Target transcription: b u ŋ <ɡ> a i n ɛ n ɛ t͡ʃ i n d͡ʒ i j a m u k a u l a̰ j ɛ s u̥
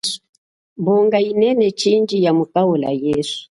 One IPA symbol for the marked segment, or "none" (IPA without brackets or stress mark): ɡ